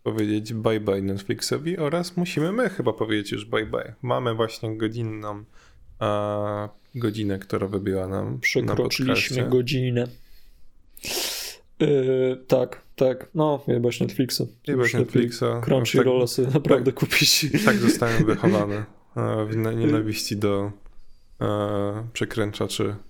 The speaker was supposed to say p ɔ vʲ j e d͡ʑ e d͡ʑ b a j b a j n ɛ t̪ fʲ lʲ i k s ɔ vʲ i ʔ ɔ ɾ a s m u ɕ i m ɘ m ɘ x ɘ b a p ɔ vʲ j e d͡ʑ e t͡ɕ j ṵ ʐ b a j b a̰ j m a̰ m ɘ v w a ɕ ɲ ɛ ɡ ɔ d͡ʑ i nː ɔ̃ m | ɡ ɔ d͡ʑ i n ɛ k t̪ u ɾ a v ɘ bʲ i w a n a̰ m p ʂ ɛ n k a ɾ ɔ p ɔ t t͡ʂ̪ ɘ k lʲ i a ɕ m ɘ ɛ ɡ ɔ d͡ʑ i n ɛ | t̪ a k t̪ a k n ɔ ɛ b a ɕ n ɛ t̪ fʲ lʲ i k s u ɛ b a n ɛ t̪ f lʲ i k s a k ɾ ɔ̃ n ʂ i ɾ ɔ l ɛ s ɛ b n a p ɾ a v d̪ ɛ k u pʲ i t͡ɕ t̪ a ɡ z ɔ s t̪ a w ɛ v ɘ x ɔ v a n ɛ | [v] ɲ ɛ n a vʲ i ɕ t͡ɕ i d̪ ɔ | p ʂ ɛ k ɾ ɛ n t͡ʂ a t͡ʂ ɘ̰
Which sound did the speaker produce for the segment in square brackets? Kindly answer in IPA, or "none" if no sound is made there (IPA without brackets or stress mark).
v